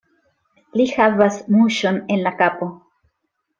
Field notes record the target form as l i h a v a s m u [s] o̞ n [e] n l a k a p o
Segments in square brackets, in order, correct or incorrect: incorrect: ʃ, correct

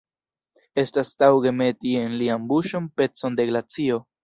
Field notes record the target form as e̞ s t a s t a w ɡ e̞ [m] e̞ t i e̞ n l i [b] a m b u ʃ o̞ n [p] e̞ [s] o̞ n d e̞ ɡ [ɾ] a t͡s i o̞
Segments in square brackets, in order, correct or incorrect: correct, incorrect: none, correct, incorrect: t͡s, incorrect: l

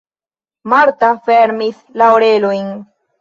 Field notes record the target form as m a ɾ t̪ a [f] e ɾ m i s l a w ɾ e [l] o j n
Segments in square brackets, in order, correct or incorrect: correct, correct

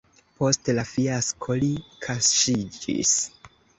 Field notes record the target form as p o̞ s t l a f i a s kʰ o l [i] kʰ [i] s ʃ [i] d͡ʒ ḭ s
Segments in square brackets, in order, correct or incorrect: correct, incorrect: a, correct

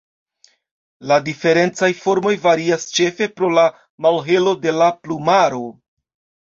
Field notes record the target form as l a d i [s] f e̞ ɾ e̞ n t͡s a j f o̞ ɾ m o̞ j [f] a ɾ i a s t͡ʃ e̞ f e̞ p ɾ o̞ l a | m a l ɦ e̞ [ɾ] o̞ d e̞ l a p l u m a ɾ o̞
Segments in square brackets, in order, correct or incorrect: incorrect: none, incorrect: v, incorrect: l

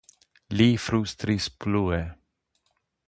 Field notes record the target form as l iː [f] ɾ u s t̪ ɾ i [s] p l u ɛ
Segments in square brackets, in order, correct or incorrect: correct, correct

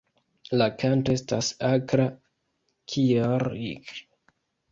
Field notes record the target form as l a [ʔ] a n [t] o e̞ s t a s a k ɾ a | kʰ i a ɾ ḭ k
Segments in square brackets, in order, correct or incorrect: incorrect: k, correct

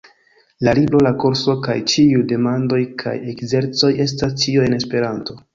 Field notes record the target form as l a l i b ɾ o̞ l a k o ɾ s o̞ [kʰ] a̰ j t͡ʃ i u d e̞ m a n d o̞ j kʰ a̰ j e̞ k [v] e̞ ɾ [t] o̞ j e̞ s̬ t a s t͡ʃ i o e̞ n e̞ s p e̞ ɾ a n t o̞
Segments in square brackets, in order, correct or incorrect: incorrect: k, incorrect: z, incorrect: t͡s

